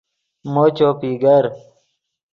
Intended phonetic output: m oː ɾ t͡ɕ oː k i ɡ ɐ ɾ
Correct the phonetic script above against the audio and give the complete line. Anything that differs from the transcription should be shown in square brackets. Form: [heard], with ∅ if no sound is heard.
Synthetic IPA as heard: m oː [∅] t͡ɕ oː [p] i ɡ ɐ ɾ

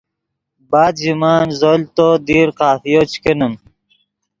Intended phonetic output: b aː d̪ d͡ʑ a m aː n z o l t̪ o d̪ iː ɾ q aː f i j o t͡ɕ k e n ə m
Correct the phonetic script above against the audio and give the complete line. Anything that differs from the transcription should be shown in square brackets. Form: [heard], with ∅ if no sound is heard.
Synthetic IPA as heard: b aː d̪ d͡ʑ [i] m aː n z o l t̪ o d̪ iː ɾ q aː f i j o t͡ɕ k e n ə m

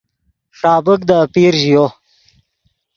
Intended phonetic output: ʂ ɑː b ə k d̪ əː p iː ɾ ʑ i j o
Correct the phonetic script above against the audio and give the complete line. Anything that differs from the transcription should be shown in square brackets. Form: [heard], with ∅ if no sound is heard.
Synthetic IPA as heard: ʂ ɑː b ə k d̪ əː p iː ɾ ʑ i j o

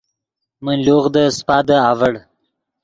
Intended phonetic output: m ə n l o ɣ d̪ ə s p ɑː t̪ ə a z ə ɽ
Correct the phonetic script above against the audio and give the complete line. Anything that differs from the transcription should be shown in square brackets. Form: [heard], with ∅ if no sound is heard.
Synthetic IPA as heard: m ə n l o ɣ d̪ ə s p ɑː [d̪] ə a [v] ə ɽ

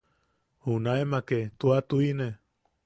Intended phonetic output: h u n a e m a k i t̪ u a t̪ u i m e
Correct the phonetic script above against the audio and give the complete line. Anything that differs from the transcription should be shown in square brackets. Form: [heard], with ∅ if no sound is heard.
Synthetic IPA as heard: h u n a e m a k [e] t̪ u a t̪ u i [n] e

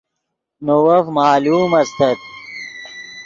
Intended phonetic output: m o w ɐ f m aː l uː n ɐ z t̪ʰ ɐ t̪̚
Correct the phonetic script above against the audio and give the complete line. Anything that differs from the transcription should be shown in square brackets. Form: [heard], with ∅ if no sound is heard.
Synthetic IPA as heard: [n] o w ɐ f m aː l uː [m] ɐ [s] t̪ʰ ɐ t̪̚

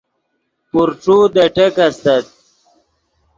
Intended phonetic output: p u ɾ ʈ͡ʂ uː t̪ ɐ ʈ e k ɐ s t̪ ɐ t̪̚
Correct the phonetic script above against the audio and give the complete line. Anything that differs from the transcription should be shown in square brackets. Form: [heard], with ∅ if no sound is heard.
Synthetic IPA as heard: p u ɾ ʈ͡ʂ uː [d̪] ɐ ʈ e k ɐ s t̪ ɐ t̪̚

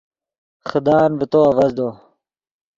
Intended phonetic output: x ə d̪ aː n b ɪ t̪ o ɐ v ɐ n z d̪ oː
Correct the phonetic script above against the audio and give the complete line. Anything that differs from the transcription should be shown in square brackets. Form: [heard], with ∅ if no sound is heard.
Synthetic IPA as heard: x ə d̪ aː n b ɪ t̪ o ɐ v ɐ [∅] z d̪ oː

